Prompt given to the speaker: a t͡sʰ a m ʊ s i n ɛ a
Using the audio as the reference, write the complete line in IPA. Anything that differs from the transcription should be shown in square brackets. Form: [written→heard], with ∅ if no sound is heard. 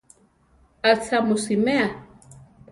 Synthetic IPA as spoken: a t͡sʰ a m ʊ s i [n→m] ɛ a